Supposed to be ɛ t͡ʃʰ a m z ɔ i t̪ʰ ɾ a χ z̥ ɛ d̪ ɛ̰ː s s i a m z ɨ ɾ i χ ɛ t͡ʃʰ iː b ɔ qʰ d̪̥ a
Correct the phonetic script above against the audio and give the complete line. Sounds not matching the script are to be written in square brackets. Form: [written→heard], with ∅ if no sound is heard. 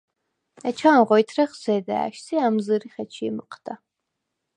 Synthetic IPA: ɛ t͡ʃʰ a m [z→ʁ] ɔ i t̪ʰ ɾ [a→ɛ] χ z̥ ɛ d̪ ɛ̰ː [s→ʃ] s i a m z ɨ ɾ i χ ɛ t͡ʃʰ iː [b→m] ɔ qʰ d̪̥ a